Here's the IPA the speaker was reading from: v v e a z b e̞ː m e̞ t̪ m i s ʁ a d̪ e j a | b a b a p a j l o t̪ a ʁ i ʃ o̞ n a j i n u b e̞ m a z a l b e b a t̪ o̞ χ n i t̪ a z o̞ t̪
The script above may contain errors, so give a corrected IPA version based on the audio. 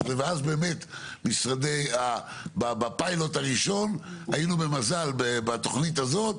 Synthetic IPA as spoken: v v e a z b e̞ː m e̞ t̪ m i s ʁ a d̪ e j a | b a b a p a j l o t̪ a ʁ i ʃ o̞ n a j i n u b e̞ m a z a l b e b a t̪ o̞ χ n i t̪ a z o̞ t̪